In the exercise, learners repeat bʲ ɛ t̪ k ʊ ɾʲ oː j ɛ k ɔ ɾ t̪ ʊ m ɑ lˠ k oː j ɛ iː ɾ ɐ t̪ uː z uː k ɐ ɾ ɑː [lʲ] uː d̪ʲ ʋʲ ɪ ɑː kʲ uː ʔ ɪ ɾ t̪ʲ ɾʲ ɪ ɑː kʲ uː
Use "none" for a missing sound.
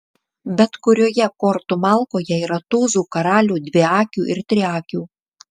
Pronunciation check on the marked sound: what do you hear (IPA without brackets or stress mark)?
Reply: lʲ